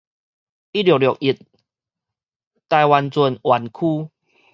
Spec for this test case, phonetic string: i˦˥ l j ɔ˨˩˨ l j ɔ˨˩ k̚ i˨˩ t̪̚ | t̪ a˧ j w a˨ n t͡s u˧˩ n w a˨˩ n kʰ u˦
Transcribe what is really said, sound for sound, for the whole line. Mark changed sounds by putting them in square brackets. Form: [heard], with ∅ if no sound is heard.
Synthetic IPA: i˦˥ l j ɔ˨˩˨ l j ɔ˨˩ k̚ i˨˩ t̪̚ | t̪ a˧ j w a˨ n t͡s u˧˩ n w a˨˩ n kʰ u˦

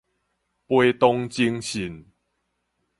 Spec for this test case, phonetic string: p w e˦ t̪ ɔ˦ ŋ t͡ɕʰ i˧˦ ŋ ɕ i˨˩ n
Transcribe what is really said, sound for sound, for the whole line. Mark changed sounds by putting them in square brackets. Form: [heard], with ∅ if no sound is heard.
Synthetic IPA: p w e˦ t̪ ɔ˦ ŋ [t͡ɕ] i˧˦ ŋ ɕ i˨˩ n

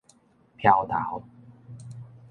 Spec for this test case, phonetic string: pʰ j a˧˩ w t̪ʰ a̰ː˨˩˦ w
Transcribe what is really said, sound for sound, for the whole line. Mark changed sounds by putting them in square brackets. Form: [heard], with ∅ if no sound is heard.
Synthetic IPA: pʰ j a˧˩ w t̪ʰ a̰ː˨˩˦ w

